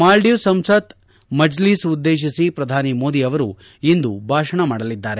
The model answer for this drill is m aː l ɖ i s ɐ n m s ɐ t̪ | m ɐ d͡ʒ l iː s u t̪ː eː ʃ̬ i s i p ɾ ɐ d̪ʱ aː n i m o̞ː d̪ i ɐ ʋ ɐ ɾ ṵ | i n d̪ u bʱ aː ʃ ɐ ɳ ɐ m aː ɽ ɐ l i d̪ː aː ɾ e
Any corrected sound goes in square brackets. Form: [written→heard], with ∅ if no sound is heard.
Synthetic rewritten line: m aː l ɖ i s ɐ [n→∅] m s ɐ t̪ | m ɐ d͡ʒ l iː s u [t̪ː→d̪ː] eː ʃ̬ i s i p ɾ ɐ d̪ʱ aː n i m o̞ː d̪ i ɐ ʋ ɐ ɾ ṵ | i n d̪ u bʱ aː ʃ ɐ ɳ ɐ m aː ɽ ɐ l i d̪ː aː ɾ e